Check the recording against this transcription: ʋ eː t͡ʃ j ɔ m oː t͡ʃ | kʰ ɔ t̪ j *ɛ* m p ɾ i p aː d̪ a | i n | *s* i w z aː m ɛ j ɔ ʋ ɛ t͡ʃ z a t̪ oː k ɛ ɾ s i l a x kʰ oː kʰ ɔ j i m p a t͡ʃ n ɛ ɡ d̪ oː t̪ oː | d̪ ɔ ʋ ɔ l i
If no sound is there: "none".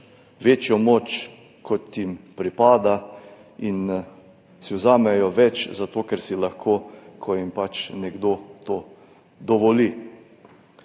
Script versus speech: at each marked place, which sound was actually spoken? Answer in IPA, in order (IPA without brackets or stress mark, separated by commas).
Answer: i, s